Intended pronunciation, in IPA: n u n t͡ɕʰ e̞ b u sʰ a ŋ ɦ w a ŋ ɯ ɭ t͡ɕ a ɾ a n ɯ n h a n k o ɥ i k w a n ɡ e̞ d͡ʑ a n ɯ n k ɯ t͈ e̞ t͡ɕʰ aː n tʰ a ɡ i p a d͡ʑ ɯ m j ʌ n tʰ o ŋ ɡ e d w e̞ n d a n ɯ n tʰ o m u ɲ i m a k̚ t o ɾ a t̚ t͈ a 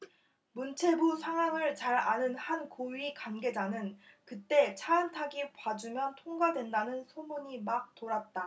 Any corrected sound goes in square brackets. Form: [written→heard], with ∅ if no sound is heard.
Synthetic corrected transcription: [n→m] u n t͡ɕʰ e̞ b u sʰ a ŋ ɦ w a ŋ ɯ ɭ t͡ɕ a ɾ a n ɯ n h a n k o ɥ i k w a n ɡ e̞ d͡ʑ a n ɯ n k ɯ t͈ e̞ t͡ɕʰ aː n tʰ a ɡ i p a d͡ʑ [ɯ→u] m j ʌ n tʰ o ŋ ɡ [e→a] d w e̞ n d a n ɯ n [tʰ→sʰ] o m u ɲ i m a k̚ t o ɾ a t̚ t͈ a